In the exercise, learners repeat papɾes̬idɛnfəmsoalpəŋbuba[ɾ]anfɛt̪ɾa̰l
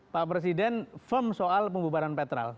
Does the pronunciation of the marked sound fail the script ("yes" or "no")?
no